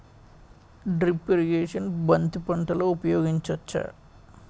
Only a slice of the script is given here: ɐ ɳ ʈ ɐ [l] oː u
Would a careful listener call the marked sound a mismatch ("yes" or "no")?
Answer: no